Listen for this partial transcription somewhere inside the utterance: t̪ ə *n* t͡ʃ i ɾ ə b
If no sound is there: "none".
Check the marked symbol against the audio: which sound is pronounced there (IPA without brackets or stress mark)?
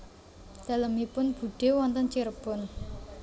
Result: n